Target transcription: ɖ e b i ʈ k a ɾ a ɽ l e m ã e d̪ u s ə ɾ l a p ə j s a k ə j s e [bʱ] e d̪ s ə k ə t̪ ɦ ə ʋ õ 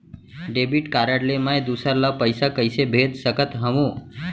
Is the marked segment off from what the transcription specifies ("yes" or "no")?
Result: no